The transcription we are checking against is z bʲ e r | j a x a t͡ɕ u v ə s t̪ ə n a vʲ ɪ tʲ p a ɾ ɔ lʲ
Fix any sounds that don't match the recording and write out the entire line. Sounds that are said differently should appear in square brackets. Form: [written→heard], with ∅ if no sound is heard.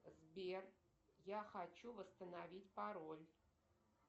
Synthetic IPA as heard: z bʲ e r | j a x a t͡ɕ u v ə s t̪ ə n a vʲ [ɪ→i] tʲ p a ɾ [ɔ→o] lʲ

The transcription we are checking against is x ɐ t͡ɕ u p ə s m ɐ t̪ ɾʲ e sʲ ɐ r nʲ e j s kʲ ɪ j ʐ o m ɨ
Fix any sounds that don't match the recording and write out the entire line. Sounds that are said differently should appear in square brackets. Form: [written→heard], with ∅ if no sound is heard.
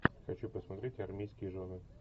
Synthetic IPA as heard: x ɐ t͡ɕ u p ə s m ɐ t̪ ɾʲ e [sʲ→tʲ] ɐ r [nʲ→mʲ] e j s kʲ ɪ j ʐ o [m→n] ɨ

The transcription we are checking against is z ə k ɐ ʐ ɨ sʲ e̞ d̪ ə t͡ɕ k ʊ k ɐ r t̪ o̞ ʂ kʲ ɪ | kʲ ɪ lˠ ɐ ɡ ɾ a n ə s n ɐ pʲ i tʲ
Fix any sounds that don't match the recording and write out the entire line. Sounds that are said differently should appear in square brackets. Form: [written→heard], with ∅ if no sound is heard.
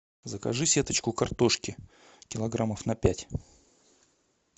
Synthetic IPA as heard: z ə k ɐ ʐ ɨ sʲ e̞ [d̪→t̪] ə t͡ɕ k ʊ k ɐ r t̪ o̞ ʂ kʲ ɪ | kʲ ɪ lˠ ɐ ɡ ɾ a [n→m] ə [s→f] n ɐ pʲ [i→æ] tʲ

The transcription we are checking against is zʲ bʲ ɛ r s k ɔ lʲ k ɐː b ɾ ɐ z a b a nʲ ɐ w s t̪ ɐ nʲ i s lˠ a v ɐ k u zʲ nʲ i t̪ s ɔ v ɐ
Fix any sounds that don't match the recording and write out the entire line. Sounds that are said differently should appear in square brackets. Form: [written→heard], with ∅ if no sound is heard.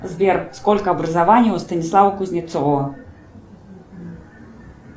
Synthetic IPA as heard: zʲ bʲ ɛ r s k ɔ lʲ k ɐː b ɾ ɐ z a [b→v] a nʲ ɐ w s t̪ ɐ nʲ i s lˠ a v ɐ k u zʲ nʲ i t̪ s ɔ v ɐ

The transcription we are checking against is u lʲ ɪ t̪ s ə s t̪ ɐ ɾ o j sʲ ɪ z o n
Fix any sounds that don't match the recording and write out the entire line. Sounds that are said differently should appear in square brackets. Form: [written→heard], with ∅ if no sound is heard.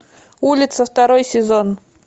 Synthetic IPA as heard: u lʲ ɪ t̪ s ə [s→f] t̪ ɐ ɾ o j sʲ ɪ z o n

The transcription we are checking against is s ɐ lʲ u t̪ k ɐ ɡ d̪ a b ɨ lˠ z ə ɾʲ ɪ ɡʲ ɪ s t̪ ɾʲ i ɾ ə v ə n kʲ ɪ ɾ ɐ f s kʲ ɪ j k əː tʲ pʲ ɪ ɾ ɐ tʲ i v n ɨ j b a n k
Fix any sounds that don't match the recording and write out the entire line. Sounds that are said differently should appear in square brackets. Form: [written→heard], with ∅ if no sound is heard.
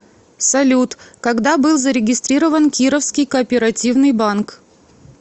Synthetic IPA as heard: s ɐ lʲ u t̪ k ɐ ɡ d̪ a b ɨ lˠ z ə ɾʲ ɪ ɡʲ ɪ s t̪ ɾʲ i ɾ ə v ə n kʲ [ɪ→i] ɾ [ɐ→ə] f s kʲ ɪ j k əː [tʲ→∅] pʲ ɪ ɾ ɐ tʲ i v n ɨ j b a n k

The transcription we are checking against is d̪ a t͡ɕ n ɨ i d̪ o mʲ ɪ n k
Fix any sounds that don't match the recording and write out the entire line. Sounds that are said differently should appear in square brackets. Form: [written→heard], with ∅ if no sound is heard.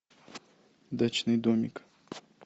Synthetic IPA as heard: d̪ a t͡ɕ n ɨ [i→j] d̪ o mʲ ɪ [n→∅] k

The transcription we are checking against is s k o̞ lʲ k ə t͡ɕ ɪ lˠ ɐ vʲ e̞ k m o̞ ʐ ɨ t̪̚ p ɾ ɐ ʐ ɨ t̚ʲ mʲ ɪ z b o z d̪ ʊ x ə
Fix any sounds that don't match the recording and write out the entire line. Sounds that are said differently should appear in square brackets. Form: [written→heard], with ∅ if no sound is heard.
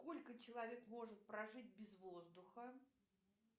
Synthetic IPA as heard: s k o̞ lʲ k ə t͡ɕ ɪ lˠ ɐ vʲ e̞ k m o̞ ʐ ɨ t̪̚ p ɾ ɐ ʐ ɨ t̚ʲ [mʲ→bʲ] ɪ z [b→v] o z d̪ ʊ x ə

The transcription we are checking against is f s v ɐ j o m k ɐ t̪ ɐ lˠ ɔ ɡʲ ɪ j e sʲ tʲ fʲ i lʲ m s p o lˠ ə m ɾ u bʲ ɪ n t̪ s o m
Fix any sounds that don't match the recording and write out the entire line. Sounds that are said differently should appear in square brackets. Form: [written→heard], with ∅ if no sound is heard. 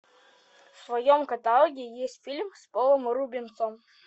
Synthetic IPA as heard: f s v ɐ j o m k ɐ t̪ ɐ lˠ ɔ ɡʲ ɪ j e sʲ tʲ fʲ i lʲ m s p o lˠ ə m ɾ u bʲ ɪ n t̪ s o m

